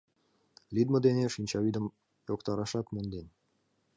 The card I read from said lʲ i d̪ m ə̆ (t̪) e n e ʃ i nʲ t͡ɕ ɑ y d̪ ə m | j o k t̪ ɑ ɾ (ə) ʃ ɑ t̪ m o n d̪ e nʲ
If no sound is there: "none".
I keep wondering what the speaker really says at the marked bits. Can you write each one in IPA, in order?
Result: d̪, ɑ

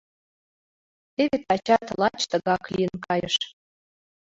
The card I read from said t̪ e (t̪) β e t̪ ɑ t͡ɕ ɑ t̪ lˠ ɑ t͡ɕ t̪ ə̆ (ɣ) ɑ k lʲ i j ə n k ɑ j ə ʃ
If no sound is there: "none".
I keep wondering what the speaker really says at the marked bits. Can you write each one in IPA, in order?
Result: none, ɣ

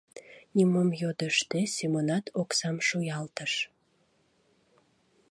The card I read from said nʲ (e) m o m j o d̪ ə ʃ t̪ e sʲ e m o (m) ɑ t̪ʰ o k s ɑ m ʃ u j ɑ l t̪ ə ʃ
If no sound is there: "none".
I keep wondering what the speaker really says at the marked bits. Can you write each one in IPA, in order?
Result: i, n

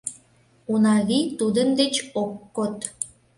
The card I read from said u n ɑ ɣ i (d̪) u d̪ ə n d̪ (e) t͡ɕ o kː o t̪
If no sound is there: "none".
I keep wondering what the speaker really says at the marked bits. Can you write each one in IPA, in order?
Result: t̪, e

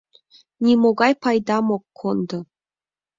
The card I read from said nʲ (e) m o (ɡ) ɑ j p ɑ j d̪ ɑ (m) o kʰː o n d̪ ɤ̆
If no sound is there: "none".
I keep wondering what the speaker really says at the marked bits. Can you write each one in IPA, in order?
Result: i, ɡ, m

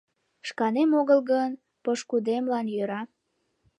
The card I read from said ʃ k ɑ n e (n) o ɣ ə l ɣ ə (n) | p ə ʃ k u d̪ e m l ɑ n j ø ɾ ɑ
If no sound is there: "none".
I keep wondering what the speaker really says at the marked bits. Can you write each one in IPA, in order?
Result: m, n

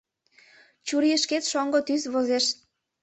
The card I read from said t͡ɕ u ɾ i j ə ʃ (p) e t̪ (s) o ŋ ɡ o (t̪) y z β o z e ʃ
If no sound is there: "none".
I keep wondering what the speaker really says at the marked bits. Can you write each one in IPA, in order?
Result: k, ʃ, t̪

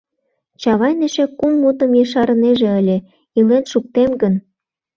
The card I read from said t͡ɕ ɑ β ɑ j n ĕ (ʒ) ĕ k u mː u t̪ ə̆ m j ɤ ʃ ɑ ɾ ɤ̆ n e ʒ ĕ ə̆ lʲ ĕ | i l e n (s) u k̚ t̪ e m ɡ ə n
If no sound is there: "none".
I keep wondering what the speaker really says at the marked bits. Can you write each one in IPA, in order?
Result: ʃ, ʃ

